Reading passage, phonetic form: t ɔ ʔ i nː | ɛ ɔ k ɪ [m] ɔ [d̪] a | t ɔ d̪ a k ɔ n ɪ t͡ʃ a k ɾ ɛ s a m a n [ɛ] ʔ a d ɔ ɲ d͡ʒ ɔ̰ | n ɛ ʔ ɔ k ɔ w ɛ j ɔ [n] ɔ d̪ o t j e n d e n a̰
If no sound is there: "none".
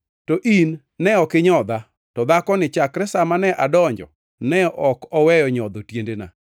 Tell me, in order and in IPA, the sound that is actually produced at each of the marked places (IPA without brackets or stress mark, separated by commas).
ɲ, d̪, ɛ, ɲ